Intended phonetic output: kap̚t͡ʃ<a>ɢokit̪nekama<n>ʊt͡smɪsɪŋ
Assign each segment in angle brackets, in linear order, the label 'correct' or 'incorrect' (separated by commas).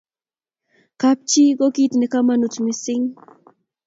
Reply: incorrect, correct